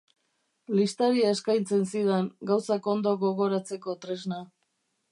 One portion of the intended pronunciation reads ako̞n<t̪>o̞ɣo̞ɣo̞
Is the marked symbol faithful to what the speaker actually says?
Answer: no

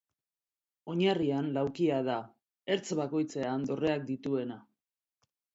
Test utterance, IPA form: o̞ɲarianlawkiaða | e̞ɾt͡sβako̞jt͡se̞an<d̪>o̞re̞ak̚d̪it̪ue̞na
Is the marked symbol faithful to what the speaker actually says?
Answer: yes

